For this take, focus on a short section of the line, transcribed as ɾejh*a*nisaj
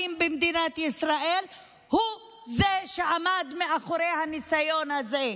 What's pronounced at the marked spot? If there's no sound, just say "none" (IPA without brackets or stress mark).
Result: a